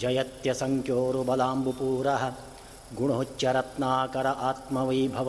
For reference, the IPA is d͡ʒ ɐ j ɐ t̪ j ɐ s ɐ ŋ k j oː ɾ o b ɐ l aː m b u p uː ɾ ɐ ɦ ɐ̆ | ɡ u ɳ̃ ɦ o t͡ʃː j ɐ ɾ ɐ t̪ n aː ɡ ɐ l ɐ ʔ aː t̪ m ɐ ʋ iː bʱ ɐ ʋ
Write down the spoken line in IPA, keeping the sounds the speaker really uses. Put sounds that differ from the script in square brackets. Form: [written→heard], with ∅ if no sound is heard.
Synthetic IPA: d͡ʒ ɐ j ɐ t̪ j ɐ s ɐ ŋ k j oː ɾ [o→u] b ɐ l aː m b u p uː ɾ ɐ ɦ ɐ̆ | ɡ u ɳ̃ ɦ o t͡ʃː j ɐ ɾ ɐ t̪ n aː [ɡ→k] ɐ [l→ɾ] ɐ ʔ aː t̪ m ɐ ʋ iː bʱ ɐ ʋ